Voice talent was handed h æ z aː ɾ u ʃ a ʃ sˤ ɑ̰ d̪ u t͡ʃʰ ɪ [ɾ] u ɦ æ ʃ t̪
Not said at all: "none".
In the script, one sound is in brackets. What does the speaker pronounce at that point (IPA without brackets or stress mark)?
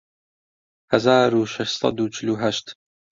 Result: l